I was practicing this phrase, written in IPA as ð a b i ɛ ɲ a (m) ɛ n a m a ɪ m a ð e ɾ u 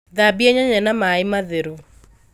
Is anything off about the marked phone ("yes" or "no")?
yes